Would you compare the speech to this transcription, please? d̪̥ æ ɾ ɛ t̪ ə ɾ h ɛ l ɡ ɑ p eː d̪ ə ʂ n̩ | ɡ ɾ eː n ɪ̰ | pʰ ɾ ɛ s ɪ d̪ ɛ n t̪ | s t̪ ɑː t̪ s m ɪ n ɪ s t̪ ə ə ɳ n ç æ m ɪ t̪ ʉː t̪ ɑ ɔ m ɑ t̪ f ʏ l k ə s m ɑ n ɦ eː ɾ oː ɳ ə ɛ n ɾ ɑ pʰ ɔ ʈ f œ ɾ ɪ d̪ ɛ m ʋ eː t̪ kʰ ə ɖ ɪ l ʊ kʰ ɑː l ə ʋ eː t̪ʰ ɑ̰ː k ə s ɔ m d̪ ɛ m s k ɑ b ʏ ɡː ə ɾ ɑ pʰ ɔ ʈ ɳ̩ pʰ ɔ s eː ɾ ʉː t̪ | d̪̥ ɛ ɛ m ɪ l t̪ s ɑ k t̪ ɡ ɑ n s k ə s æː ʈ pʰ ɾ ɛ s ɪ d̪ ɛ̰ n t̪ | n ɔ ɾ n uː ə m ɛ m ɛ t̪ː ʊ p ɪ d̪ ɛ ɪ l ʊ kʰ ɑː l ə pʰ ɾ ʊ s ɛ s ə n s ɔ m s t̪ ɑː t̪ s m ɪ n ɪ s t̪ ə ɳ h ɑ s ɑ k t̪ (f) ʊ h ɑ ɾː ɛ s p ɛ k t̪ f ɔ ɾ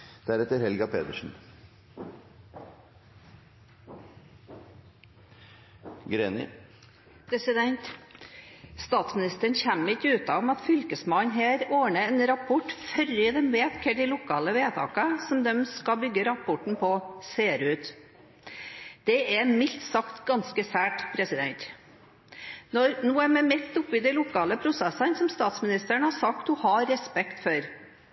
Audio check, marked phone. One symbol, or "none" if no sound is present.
h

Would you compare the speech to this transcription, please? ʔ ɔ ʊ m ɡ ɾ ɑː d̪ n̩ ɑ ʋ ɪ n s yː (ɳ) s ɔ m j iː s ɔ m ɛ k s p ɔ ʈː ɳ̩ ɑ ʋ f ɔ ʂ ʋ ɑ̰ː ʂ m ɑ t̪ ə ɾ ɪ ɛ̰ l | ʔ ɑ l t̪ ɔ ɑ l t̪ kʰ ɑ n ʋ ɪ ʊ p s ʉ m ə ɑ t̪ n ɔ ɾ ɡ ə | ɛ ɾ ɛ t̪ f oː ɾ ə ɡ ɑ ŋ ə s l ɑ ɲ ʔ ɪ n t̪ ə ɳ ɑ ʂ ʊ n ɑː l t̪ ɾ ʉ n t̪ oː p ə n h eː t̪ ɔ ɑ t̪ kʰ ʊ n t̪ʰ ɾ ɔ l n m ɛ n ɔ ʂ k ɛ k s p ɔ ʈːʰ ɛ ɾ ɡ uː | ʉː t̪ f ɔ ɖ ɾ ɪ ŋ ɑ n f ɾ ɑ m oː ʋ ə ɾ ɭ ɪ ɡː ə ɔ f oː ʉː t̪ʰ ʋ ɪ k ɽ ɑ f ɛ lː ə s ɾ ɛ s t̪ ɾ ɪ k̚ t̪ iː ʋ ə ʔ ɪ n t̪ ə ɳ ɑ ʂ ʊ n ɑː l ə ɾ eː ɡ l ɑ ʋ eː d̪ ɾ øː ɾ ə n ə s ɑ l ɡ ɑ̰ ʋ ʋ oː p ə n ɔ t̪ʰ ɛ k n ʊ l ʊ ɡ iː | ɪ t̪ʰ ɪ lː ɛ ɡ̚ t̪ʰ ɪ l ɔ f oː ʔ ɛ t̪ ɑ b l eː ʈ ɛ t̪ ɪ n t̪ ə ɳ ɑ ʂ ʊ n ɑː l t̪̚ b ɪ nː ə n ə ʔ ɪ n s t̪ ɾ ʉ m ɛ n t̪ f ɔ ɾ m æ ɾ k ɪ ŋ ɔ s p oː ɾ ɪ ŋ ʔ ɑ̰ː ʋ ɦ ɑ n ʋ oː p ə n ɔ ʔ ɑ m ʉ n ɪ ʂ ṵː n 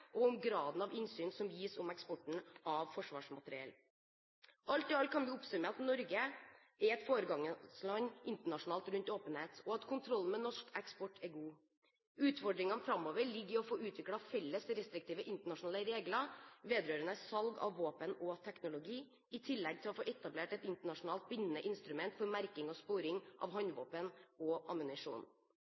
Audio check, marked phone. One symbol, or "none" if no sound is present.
n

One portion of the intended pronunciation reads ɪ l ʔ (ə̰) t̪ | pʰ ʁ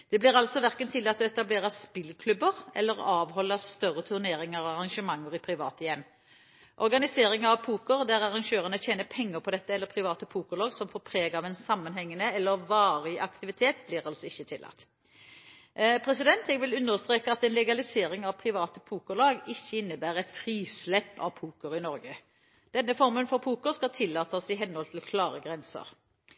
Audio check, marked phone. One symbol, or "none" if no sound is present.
ɑ̰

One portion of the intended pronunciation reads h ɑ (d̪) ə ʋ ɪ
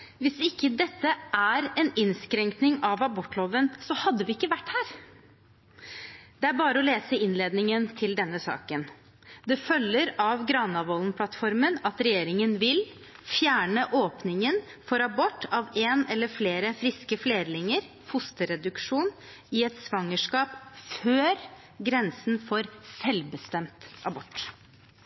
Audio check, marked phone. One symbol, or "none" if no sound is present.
d̪ː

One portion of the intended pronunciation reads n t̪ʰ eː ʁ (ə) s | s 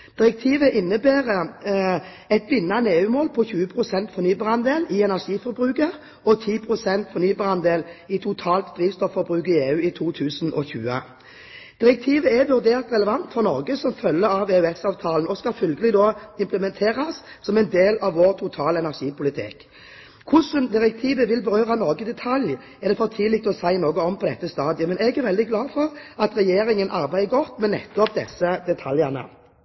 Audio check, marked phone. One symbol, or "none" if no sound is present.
ɑ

